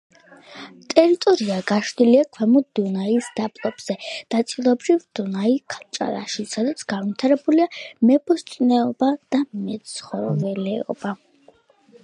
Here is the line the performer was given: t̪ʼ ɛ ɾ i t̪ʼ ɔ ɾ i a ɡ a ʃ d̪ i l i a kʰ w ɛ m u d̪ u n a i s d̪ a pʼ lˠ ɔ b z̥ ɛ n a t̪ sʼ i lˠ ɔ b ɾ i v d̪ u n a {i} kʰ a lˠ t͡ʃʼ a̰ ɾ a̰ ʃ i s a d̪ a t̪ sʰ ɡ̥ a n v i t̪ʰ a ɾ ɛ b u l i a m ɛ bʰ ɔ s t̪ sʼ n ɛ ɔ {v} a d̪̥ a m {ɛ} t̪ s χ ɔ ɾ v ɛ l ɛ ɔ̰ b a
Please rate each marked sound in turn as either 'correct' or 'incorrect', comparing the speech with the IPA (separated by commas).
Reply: correct, incorrect, correct